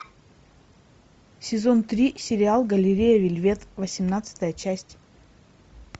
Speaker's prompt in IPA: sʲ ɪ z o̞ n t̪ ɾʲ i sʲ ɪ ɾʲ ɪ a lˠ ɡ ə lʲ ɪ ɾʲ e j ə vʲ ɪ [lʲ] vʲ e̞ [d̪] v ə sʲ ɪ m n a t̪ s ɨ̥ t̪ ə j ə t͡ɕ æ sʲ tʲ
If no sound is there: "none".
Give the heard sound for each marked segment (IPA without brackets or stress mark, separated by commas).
lʲ, t̪